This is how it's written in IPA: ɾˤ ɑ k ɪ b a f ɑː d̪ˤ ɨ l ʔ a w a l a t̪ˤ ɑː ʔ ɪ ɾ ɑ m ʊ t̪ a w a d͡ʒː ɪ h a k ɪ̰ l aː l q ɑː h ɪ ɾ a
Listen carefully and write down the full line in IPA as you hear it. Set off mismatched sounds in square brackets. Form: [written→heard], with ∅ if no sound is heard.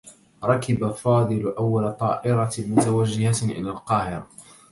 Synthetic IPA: ɾˤ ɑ k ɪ b a f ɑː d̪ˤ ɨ l ʔ a [w→wː] a l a t̪ˤ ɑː ʔ ɪ ɾ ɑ m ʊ t̪ a w a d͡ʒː ɪ h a [k→ʔ] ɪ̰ l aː l q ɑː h ɪ ɾ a